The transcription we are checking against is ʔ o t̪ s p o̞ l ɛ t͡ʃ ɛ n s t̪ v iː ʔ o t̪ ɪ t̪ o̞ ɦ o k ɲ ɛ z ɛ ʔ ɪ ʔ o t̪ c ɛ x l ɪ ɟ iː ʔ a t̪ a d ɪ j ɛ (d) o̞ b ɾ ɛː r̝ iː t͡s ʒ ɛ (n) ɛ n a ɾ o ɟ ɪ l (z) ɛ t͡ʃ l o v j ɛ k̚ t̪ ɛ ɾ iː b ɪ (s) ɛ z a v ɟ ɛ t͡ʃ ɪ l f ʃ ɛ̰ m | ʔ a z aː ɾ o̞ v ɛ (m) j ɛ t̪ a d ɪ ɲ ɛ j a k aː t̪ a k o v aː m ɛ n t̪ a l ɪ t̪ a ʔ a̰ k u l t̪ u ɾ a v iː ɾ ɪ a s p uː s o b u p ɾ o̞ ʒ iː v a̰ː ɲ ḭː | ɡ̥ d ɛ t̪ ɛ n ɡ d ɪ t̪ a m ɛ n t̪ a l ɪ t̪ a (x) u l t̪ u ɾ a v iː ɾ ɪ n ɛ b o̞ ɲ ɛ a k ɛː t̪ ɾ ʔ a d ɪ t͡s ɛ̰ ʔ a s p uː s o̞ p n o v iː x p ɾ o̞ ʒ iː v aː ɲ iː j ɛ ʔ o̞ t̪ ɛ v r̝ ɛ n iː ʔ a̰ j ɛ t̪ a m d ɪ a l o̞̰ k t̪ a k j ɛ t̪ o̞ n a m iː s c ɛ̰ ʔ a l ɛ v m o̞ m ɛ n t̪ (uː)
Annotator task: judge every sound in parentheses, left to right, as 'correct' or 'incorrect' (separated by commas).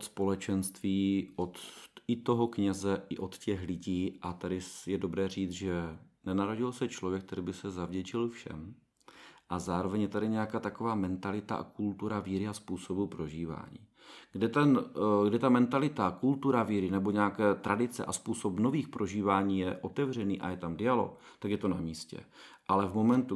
correct, correct, incorrect, correct, incorrect, incorrect, incorrect